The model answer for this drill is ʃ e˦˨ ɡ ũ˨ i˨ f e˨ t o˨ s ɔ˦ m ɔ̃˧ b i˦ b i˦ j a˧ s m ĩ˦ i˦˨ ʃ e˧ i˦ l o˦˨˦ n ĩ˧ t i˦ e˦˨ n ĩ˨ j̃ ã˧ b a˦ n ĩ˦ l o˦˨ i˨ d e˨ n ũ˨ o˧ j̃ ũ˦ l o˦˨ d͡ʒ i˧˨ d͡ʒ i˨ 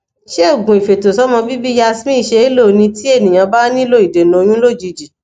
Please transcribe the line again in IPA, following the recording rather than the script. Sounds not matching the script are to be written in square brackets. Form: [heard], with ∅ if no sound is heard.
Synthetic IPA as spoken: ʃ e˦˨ ɡ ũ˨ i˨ f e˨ t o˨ s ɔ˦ m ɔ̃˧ b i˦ b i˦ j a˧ s m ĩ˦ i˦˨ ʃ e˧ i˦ l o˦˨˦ n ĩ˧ t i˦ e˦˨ n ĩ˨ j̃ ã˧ b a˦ n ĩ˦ l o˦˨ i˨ d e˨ n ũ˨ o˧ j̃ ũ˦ l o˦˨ d͡ʒ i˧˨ d͡ʒ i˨